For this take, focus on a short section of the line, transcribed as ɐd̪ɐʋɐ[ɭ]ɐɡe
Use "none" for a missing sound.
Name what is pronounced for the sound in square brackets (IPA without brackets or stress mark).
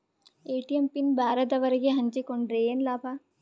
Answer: ɾ